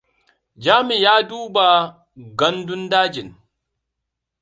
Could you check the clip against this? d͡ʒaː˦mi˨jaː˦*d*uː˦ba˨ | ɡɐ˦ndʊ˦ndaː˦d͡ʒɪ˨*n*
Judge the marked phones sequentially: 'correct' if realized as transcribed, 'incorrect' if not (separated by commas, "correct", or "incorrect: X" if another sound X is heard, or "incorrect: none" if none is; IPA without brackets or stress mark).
correct, correct